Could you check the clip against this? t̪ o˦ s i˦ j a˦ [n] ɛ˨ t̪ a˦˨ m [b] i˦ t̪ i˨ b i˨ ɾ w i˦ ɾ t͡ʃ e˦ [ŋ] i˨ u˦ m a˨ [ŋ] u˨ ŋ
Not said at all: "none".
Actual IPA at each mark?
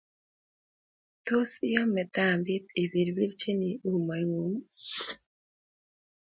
m, b, n, ŋ

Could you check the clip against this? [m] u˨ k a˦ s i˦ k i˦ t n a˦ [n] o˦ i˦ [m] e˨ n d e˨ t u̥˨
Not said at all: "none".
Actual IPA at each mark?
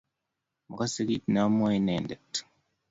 m, m, n

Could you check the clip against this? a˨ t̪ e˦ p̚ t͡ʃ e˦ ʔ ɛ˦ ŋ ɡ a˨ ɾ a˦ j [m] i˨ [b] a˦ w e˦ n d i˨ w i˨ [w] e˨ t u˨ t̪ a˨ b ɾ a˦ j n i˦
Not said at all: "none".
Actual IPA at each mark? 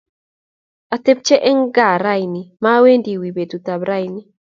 n, m, b

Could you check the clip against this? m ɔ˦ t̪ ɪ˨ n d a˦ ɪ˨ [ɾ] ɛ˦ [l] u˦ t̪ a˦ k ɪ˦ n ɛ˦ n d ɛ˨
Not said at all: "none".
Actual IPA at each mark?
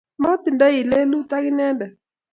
l, l

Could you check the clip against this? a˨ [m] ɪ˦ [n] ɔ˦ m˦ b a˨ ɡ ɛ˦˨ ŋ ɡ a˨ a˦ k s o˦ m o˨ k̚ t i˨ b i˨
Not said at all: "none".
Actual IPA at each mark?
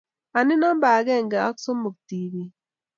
n, n

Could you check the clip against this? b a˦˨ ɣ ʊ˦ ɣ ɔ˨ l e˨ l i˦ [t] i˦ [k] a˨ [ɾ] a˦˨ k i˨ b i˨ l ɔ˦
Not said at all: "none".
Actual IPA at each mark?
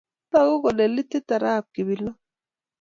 t, t, ɾ

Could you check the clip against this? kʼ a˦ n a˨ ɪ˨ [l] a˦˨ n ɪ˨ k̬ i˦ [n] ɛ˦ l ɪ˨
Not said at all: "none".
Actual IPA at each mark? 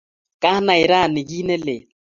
ɾ, n

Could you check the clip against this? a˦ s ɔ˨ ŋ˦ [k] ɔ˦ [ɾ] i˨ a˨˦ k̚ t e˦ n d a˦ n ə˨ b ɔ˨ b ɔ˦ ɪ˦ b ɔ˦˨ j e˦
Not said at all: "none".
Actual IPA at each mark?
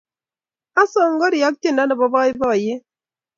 ɡ, ɾ

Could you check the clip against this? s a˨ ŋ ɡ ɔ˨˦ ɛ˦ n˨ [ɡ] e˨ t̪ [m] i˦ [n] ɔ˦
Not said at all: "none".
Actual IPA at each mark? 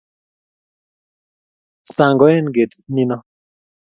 ɡ, n, n

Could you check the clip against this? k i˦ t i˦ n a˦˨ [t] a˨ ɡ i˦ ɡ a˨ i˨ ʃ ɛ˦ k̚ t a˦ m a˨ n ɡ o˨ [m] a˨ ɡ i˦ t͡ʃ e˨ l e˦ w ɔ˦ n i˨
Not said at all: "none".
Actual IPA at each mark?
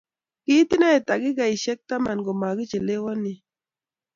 t, m

